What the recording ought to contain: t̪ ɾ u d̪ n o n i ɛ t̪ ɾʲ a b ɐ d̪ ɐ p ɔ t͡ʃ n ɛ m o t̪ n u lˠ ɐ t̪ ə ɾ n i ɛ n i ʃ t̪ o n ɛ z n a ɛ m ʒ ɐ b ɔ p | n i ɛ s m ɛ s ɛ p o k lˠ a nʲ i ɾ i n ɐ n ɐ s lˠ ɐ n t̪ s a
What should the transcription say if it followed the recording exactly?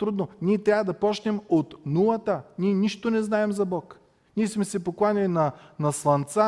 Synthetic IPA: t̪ ɾ u d̪ n o n i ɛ t̪ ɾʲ a v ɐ d̪ ɐ p ɔ t͡ʃ n ɛ m o t̪ n u lˠ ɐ t̪ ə n i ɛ n i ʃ t̪ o n ɛ z n a ɛ m z ɐ b ɔ k | n i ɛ s m ɛ s ɛ p o k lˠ a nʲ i l i n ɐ n ɐ s lˠ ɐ n t̪ s a